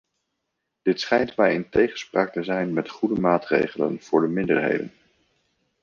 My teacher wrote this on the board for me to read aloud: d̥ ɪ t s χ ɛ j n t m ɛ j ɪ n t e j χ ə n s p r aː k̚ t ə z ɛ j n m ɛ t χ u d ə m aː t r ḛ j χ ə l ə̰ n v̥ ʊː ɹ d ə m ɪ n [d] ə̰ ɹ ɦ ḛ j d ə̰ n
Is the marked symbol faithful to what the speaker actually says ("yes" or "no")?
yes